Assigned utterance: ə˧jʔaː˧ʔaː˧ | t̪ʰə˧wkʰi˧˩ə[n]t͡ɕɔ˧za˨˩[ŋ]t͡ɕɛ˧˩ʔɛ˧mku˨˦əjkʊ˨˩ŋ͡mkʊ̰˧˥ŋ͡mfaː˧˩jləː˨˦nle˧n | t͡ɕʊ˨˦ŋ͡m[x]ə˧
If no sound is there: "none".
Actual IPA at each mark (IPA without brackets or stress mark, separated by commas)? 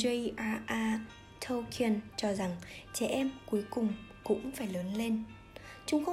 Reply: n, ŋ, x